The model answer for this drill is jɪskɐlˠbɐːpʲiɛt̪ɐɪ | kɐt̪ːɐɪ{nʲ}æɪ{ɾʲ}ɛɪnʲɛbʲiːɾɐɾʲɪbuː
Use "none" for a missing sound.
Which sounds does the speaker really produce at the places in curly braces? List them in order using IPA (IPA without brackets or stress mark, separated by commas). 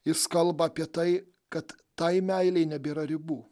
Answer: mʲ, lʲ